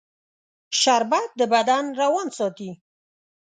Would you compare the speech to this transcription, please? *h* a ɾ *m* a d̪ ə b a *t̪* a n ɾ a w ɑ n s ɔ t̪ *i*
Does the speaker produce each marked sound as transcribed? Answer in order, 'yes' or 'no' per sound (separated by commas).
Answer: no, no, no, yes